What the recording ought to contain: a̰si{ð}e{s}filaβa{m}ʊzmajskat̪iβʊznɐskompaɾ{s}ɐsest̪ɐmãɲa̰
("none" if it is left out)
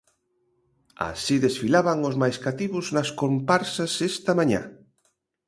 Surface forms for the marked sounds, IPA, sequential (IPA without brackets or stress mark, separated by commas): ð, s, ŋ, s